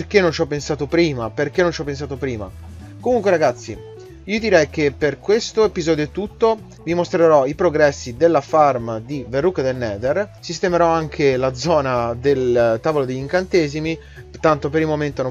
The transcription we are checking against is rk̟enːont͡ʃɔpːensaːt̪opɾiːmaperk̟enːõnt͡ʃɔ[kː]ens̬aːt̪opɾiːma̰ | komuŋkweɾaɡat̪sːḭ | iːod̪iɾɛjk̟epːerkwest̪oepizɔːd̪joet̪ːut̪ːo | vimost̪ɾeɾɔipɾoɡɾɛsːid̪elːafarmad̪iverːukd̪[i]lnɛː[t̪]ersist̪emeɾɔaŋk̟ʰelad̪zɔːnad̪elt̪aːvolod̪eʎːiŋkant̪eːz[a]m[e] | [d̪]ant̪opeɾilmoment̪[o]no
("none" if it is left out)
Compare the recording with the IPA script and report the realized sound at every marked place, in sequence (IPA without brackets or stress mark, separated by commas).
pː, e, d̪, i, i, t̪, o